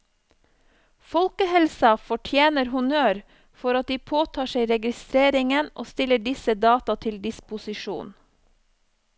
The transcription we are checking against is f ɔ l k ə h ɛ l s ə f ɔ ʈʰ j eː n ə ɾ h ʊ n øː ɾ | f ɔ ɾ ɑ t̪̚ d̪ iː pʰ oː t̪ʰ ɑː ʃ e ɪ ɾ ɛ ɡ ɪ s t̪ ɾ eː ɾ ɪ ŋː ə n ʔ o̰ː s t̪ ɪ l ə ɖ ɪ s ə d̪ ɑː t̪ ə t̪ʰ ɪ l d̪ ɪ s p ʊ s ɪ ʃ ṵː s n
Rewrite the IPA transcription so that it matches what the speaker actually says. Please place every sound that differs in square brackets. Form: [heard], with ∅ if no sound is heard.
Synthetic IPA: f ɔ l k ə h ɛ l s [ɑ] f ɔ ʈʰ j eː n ə ɾ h ʊ n øː ɾ | f ɔ ɾ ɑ t̪̚ d̪ iː pʰ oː t̪ʰ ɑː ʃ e ɪ ɾ ɛ ɡ ɪ s t̪ ɾ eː ɾ ɪ [ŋ] ə n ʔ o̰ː s t̪ ɪ l ə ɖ ɪ s ə d̪ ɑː t̪ [ɑ] t̪ʰ ɪ l d̪ ɪ s p ʊ s ɪ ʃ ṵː [∅] n